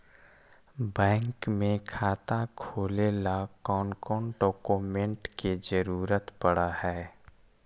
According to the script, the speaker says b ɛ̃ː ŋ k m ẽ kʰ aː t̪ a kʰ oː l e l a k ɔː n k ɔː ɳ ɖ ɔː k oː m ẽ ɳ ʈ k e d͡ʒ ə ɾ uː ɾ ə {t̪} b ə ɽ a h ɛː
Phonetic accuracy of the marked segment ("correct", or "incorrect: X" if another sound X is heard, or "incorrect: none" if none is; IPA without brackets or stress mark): correct